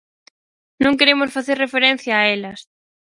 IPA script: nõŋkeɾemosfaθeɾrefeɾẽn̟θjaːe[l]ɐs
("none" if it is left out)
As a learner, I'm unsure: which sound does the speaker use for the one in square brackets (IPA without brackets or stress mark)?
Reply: l